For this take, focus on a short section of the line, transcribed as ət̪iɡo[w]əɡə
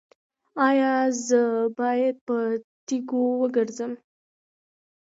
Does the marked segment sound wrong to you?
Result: no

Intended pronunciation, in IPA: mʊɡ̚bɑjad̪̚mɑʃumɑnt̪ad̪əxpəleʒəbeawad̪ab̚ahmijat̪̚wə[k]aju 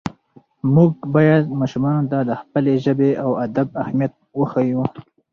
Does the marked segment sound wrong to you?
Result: yes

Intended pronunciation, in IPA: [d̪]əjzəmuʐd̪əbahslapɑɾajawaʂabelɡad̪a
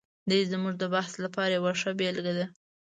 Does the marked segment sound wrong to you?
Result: no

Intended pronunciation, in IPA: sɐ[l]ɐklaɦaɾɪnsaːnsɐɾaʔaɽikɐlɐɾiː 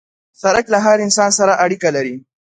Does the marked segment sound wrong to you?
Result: yes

